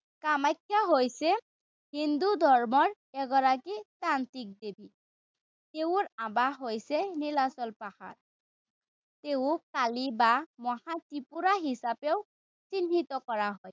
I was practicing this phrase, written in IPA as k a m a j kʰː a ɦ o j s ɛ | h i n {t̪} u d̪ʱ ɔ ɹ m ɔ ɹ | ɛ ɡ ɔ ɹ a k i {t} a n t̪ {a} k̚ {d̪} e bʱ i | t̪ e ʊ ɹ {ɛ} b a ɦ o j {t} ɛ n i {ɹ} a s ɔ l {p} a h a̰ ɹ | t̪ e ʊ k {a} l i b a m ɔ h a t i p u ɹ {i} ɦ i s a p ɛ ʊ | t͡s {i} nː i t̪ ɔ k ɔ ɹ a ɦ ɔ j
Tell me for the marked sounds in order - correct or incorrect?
incorrect, correct, incorrect, correct, incorrect, incorrect, incorrect, correct, correct, incorrect, correct

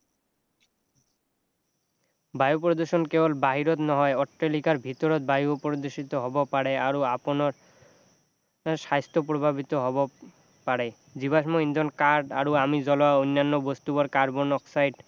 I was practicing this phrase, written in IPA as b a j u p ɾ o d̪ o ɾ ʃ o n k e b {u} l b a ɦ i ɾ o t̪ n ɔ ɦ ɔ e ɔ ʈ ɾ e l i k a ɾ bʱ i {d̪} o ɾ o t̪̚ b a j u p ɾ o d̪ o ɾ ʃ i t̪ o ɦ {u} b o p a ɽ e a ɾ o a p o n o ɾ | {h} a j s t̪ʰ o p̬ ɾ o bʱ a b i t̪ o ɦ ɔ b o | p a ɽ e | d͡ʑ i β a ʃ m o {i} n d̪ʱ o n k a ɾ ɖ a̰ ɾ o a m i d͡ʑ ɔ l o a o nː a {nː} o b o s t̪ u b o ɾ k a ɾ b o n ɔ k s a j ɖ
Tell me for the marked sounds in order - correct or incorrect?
incorrect, incorrect, incorrect, incorrect, correct, correct

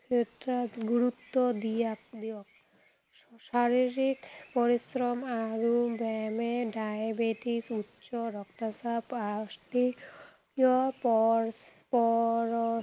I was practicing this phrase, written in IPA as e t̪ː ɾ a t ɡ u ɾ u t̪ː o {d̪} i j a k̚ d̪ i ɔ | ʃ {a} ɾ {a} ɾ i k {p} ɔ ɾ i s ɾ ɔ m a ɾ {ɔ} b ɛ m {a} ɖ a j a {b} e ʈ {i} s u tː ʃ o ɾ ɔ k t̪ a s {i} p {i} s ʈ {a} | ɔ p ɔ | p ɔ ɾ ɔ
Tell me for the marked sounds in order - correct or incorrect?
correct, correct, incorrect, correct, incorrect, incorrect, correct, correct, incorrect, incorrect, incorrect

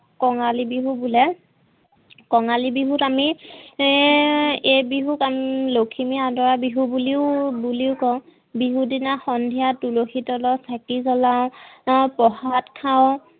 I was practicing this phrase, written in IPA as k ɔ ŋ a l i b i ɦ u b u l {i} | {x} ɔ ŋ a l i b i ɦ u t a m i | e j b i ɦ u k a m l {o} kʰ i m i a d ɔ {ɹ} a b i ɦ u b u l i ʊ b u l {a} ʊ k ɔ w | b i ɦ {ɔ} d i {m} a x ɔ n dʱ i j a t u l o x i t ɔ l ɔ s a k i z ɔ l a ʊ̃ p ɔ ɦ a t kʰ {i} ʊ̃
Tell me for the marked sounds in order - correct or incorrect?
incorrect, incorrect, correct, correct, incorrect, incorrect, incorrect, incorrect

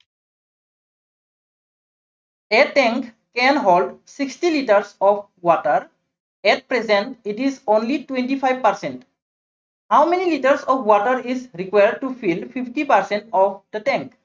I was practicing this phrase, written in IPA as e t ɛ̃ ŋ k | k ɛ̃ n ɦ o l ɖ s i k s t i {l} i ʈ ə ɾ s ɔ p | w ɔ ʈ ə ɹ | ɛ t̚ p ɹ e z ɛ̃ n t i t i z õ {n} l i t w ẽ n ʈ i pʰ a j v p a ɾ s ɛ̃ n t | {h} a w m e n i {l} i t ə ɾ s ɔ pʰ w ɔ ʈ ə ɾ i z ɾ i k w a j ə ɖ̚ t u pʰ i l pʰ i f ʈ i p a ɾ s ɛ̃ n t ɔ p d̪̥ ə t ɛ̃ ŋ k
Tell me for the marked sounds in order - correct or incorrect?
correct, correct, correct, correct

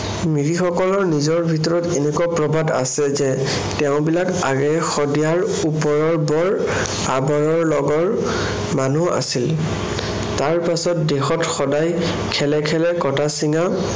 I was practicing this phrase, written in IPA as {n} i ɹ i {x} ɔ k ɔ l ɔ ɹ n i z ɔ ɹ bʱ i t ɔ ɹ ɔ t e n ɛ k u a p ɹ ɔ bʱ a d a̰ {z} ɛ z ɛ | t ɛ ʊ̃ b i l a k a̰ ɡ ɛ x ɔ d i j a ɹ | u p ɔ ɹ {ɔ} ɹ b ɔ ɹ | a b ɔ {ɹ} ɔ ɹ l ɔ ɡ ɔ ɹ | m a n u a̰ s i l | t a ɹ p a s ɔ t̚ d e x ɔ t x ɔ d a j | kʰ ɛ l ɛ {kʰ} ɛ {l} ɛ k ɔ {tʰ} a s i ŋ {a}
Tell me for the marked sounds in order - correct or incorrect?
incorrect, correct, incorrect, correct, correct, correct, correct, incorrect, correct

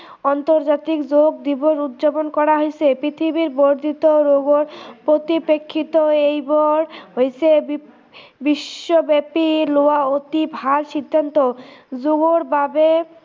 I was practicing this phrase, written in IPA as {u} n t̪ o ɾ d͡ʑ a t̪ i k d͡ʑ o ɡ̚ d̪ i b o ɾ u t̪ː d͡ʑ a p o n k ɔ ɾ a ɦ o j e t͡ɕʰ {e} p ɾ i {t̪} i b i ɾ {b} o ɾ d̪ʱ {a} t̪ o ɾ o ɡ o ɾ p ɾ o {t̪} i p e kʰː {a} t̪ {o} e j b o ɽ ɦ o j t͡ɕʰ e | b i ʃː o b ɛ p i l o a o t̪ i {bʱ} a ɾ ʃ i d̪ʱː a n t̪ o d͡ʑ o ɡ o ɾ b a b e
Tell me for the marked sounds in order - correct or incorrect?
incorrect, correct, incorrect, correct, incorrect, correct, incorrect, correct, correct

